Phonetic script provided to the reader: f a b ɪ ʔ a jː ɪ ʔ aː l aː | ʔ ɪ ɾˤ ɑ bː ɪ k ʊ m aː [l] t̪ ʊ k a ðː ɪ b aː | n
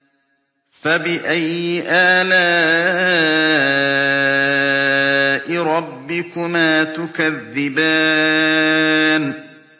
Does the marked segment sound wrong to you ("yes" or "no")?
yes